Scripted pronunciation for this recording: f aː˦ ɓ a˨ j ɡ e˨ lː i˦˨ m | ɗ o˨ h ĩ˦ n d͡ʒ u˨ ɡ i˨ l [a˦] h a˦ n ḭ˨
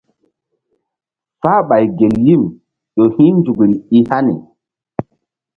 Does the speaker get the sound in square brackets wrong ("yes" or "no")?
yes